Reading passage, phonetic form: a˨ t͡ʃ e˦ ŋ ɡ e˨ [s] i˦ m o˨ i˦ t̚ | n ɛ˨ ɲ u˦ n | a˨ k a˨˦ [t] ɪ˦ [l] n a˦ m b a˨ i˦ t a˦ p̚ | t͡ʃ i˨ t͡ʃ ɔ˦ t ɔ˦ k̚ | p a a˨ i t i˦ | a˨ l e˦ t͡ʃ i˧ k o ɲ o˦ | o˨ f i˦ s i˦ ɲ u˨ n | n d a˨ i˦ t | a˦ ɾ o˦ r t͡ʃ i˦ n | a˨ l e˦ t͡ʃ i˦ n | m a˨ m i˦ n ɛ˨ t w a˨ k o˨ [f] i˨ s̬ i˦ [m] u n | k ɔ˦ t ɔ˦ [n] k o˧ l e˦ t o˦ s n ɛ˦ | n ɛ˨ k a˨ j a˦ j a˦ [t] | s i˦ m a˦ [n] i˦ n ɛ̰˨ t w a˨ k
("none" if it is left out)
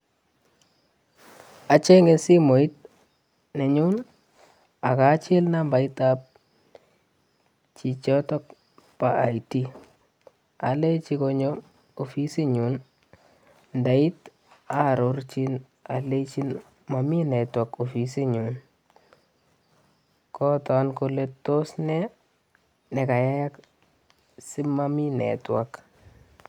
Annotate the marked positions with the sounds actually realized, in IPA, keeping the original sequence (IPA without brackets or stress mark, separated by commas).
s, t͡ʃ, l, f, ɲ, n, k, m